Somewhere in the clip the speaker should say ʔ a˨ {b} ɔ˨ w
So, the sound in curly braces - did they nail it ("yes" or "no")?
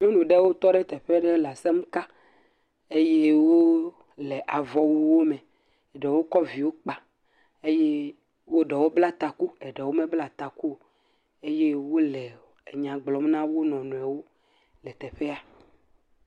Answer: no